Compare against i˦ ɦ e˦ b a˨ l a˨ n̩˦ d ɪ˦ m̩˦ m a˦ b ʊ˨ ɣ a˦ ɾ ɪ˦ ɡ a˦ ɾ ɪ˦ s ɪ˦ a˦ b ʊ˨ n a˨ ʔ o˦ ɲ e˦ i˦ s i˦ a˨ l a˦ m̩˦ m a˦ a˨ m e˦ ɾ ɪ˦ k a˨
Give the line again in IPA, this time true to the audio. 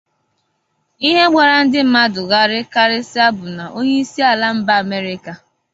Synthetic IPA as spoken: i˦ ɦ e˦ ɡ͡b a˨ ɾ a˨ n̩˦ d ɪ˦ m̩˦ m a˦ d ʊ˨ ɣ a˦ ɾ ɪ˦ k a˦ ɾ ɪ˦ s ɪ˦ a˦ b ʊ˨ n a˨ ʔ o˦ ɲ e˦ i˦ s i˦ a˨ l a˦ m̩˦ b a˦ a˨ m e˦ ɾ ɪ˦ k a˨